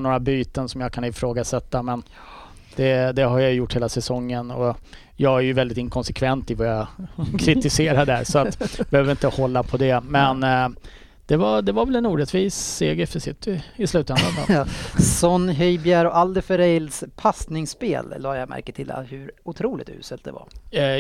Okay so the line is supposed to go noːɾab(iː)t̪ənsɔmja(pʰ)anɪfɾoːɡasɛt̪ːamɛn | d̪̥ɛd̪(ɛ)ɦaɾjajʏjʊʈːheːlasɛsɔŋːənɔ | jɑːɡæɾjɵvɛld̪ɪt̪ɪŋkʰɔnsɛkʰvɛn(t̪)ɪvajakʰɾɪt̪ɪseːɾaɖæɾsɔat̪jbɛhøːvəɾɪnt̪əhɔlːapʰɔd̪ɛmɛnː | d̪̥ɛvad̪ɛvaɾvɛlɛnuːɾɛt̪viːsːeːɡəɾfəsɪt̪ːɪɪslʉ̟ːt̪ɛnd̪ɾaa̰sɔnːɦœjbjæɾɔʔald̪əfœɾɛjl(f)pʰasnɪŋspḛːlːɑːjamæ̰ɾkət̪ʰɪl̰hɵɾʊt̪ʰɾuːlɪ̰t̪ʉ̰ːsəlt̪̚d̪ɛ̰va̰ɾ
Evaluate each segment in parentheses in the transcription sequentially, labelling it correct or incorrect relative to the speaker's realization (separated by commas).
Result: incorrect, incorrect, correct, correct, incorrect